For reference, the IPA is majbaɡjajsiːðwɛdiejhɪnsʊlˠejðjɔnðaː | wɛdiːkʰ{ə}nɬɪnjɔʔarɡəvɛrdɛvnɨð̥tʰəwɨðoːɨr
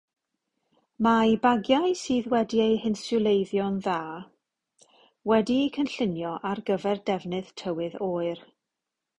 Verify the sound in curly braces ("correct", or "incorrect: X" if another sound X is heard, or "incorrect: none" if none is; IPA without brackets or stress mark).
correct